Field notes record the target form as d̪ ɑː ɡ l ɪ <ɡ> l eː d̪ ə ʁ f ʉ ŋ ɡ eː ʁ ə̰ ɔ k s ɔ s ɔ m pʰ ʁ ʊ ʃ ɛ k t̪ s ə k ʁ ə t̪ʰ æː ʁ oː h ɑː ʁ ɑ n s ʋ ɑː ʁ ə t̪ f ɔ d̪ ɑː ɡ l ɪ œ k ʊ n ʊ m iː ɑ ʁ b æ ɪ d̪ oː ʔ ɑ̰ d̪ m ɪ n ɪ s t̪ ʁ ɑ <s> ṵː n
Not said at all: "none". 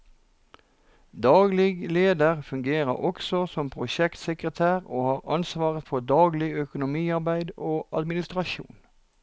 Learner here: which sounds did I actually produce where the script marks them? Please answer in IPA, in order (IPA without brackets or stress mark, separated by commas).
ɡ, ʃ